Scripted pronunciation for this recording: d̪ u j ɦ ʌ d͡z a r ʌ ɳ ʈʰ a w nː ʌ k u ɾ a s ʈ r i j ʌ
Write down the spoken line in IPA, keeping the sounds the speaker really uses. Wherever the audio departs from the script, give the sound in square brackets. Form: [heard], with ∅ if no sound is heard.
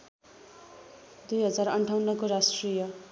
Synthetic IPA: d̪ u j ɦ ʌ d͡z a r ʌ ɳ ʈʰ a w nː ʌ k [o] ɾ a s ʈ r i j ʌ